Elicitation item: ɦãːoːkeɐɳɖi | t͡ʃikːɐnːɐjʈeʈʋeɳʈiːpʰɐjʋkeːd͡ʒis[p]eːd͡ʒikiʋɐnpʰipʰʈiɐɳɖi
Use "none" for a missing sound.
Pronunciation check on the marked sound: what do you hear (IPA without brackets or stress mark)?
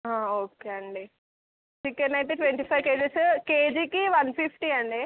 k